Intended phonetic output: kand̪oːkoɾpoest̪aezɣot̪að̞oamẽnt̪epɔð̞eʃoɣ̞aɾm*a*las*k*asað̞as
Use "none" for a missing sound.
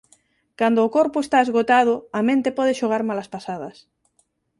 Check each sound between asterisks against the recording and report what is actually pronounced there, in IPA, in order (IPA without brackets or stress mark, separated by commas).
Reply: a, p